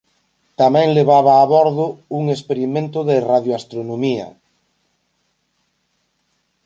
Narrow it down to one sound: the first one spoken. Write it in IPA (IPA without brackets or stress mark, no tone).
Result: t̪